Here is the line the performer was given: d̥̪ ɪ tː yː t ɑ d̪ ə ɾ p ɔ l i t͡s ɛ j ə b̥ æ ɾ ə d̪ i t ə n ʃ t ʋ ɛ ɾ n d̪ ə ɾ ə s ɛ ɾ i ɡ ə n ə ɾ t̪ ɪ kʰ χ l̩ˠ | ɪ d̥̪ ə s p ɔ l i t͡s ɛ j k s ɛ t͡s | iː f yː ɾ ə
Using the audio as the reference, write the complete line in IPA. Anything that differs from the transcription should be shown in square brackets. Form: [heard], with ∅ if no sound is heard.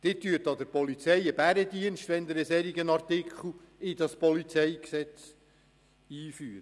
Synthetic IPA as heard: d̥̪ ɪ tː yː t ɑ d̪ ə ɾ p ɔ l i t͡s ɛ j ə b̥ æ ɾ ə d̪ i [∅] ə n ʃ t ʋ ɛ [∅] n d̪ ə ɾ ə s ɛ ɾ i ɡ ə n [ɑ] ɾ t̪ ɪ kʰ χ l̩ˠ | ɪ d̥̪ [ɑ] s p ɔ l i t͡s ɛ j k s ɛ t͡s | iː f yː ɾ ə